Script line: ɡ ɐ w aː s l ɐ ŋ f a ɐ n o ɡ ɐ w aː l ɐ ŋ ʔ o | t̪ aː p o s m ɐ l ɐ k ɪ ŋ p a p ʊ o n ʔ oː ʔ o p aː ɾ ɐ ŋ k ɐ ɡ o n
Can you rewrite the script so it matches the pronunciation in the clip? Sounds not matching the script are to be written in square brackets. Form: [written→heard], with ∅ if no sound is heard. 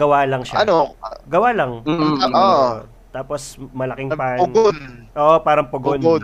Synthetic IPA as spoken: ɡ ɐ w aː [s→∅] l ɐ ŋ [f→ʃ] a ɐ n o ɡ ɐ w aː l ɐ ŋ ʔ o | t̪ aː p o s m ɐ l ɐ k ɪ ŋ p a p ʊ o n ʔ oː ʔ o p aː ɾ ɐ ŋ [k→p] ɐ ɡ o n